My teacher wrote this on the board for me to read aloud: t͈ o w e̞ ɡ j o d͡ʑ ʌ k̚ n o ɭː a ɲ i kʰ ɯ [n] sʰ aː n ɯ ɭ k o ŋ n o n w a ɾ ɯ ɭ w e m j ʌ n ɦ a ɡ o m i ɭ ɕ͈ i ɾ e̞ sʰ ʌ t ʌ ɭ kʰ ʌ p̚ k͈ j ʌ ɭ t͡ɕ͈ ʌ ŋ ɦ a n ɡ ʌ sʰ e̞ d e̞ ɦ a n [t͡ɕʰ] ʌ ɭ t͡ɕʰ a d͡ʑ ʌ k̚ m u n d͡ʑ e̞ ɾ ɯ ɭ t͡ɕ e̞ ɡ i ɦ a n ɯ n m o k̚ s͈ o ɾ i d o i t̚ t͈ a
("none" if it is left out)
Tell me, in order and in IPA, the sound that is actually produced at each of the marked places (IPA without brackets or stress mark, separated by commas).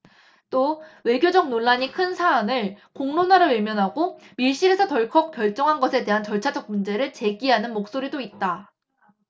n, t͡ɕ